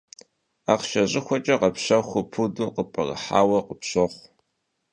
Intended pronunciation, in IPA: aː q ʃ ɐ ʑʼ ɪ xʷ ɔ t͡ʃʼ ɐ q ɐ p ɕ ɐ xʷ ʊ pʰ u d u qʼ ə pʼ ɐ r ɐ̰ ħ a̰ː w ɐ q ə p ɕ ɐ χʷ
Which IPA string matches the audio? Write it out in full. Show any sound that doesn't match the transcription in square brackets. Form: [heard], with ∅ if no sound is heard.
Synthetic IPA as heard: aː q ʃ ɐ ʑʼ ɪ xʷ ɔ t͡ʃʼ ɐ q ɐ p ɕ ɐ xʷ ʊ pʰ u d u [q] ə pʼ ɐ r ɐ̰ ħ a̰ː w ɐ q ə p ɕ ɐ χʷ